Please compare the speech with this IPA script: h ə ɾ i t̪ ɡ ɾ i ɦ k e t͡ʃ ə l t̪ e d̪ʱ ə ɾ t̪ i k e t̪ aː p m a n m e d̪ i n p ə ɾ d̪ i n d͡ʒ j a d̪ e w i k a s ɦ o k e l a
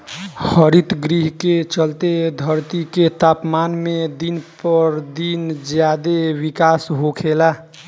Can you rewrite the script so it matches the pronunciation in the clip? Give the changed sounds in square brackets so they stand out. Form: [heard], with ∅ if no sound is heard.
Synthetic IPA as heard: h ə ɾ i t̪ ɡ ɾ i ɦ k e t͡ʃ ə l t̪ e d̪ʱ ə ɾ t̪ i k e t̪ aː p m a n m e d̪ i n p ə ɾ d̪ i n d͡ʒ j a d̪ e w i k a s ɦ o [kʰ] e l a